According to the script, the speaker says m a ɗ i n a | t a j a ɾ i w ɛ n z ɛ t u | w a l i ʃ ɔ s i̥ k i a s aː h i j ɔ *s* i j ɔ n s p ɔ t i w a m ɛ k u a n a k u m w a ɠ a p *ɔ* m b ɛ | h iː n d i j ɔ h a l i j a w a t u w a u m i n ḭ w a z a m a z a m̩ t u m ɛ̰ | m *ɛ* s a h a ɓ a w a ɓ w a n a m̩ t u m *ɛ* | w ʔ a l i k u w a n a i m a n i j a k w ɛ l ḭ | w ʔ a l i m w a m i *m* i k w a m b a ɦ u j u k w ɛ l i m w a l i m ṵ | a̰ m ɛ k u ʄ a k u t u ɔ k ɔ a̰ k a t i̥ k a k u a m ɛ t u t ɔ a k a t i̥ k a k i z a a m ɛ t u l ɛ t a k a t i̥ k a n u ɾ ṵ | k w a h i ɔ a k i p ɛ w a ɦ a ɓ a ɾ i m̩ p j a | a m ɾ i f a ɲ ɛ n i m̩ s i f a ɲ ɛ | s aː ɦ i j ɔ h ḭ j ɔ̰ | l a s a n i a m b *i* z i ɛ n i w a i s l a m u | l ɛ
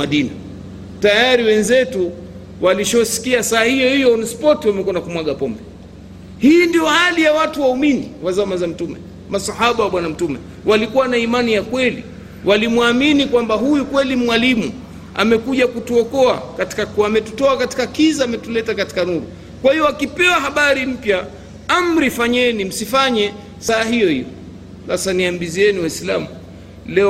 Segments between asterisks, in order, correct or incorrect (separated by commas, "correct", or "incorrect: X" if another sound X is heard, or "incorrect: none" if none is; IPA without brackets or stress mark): incorrect: h, correct, incorrect: a, correct, incorrect: n, correct